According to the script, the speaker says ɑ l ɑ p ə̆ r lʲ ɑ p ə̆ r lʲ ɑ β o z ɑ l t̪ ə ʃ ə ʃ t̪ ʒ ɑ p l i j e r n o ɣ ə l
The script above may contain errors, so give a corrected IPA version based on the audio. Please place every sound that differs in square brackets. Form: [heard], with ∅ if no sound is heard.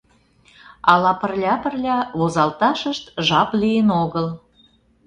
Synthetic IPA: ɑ l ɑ p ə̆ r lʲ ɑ p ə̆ r lʲ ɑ β o z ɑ l t̪ [ɑ] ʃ ə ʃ t̪ ʒ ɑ p l i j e [∅] n o ɣ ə l